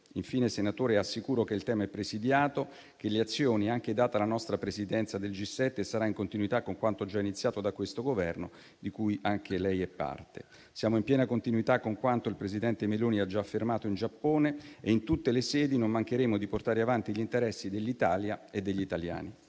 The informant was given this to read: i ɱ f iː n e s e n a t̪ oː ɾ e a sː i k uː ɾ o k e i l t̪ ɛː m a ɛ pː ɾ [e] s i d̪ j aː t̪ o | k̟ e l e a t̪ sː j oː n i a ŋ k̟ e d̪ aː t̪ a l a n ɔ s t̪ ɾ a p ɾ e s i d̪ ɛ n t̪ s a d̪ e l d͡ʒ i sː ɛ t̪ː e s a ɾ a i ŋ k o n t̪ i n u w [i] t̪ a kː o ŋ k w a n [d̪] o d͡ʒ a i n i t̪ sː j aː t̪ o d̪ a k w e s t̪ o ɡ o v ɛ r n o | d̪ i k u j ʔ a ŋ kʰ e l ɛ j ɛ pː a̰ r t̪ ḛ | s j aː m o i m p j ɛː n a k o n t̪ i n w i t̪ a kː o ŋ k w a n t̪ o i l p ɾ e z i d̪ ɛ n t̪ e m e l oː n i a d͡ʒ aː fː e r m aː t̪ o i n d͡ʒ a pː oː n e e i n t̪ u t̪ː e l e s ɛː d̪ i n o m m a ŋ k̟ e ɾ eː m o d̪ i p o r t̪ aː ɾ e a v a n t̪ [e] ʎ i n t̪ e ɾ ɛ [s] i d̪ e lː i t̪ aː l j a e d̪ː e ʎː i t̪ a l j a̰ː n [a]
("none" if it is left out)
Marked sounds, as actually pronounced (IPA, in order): e, i, t̪, i, sː, i

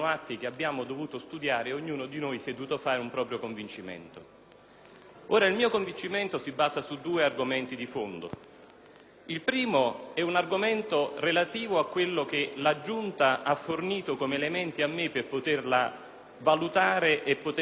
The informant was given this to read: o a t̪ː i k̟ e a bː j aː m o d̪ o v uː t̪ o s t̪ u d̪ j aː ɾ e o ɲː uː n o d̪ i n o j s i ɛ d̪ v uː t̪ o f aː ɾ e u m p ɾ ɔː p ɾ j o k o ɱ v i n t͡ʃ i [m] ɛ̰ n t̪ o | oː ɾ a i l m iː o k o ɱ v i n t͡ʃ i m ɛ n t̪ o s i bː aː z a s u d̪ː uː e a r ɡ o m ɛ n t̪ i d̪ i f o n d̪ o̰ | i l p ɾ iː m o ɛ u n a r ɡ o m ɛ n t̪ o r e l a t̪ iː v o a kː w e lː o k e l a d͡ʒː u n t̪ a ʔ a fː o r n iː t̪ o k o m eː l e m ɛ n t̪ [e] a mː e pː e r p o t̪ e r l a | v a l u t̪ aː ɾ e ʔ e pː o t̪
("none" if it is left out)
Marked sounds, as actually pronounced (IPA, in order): m, i

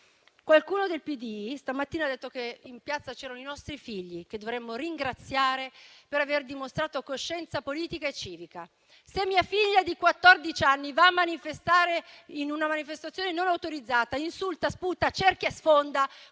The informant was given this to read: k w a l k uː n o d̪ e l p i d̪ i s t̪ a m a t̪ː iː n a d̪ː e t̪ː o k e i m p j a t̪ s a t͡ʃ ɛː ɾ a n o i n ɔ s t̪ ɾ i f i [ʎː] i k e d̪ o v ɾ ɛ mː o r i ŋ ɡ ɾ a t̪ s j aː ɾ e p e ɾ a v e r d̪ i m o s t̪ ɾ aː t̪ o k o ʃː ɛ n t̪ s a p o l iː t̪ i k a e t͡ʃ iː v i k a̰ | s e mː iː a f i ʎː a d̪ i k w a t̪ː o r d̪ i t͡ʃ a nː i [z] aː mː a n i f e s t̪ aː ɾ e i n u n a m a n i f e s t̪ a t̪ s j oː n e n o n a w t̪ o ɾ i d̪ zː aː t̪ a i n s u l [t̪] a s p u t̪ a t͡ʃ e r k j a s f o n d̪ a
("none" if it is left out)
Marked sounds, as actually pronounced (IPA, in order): ʎː, v, t̪

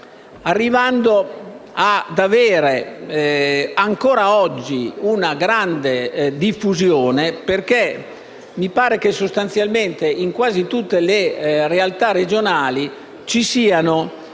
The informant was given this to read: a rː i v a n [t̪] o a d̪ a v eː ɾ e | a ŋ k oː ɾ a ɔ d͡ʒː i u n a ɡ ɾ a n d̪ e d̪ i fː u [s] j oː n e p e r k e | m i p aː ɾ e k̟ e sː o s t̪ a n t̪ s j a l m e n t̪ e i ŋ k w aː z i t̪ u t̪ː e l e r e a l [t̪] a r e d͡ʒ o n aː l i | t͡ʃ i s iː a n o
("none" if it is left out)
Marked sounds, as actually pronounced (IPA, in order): d̪, z, t̪

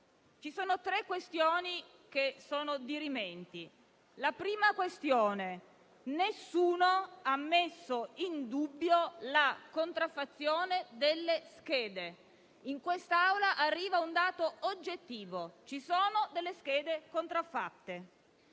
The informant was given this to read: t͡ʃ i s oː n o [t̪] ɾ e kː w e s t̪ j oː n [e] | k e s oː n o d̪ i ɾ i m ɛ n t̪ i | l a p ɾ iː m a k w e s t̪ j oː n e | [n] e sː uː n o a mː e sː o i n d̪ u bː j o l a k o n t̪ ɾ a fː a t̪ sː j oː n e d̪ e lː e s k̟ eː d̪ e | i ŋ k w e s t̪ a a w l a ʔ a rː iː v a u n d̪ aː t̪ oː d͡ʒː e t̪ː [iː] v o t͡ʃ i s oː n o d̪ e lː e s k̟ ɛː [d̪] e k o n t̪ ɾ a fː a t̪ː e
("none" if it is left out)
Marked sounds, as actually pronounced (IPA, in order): t̪, i, n, iː, d̪

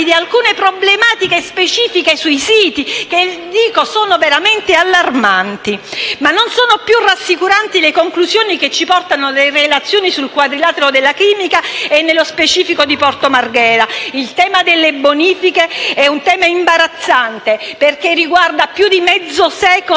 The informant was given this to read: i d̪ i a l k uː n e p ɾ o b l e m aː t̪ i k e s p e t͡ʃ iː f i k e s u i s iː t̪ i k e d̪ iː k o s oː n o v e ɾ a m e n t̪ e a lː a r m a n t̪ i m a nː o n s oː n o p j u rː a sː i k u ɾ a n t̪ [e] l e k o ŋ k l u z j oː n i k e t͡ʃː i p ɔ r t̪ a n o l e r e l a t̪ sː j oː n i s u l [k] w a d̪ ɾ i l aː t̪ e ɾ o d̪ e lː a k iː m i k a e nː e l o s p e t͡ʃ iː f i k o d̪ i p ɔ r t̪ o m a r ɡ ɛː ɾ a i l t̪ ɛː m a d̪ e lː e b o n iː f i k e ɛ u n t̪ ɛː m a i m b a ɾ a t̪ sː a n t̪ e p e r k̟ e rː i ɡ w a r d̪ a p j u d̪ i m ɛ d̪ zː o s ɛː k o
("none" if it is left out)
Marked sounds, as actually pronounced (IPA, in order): i, k

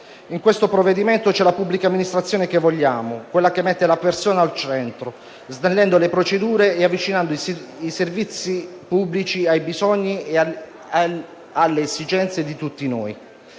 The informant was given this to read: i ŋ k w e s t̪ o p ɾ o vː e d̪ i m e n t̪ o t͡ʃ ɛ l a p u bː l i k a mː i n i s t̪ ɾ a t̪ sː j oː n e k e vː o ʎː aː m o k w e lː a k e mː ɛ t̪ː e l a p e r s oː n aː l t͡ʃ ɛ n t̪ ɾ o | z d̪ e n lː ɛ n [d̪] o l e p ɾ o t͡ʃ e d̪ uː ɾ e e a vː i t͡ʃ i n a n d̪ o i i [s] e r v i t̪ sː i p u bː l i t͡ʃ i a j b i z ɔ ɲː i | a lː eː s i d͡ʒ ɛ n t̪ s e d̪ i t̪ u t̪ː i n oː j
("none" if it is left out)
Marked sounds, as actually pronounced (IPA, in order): d̪, s

